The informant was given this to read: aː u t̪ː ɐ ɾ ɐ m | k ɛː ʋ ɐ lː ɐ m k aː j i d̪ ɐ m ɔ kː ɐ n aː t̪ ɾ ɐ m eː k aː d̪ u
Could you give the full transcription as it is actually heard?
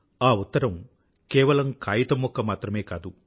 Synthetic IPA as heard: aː u t̪ː ɐ ɾ ɐ m | k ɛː ʋ ɐ l ɐ m k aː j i t̪ ɐ m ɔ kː ɐ m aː t̪ ɾ ɐ m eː k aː d̪ u